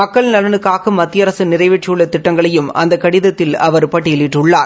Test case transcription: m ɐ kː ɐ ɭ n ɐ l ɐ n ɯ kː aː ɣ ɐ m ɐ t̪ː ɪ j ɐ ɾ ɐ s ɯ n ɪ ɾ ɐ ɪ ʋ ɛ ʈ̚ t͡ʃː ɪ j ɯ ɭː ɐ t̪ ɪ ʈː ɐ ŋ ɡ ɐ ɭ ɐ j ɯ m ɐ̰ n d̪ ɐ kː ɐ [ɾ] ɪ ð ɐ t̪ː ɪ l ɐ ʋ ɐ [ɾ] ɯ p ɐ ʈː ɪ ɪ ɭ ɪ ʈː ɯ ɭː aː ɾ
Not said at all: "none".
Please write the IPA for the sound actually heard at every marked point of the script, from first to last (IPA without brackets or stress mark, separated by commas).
ɽ, ɾ